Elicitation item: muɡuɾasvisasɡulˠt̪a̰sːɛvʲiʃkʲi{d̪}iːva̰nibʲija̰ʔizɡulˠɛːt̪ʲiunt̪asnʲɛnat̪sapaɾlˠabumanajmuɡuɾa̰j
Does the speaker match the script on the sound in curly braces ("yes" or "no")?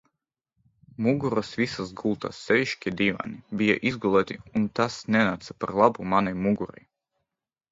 yes